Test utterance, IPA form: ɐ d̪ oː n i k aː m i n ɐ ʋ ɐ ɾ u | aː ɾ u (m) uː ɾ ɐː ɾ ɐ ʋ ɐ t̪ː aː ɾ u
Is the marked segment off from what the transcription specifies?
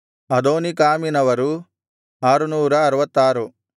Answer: yes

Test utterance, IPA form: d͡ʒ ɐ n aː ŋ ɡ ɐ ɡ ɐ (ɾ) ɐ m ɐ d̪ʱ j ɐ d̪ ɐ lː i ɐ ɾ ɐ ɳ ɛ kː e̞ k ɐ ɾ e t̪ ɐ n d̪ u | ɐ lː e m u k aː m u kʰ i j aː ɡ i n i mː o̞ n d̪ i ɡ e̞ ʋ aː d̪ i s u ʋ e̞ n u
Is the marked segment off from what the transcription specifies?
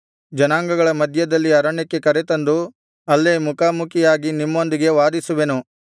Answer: yes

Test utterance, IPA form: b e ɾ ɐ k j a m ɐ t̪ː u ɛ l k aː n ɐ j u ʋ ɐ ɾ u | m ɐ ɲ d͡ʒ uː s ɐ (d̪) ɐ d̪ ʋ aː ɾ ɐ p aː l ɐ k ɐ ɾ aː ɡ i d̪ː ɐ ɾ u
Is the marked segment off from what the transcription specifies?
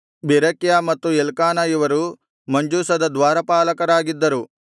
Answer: no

